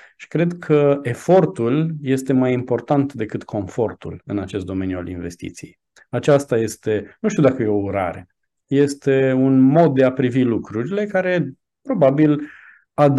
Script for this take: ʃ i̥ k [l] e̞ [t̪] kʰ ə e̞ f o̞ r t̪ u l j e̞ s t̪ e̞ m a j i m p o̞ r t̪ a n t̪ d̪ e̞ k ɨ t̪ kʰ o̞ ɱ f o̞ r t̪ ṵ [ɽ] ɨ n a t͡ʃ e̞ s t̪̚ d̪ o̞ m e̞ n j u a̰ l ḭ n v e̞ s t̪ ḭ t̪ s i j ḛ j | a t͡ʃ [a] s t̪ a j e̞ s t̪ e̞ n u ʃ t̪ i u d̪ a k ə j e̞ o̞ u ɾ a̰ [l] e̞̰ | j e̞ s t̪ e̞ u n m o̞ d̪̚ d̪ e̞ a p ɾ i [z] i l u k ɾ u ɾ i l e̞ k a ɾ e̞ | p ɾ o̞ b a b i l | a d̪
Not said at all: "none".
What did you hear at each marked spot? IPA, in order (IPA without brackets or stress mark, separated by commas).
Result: ɾ, d̪, l, a, ɾ, v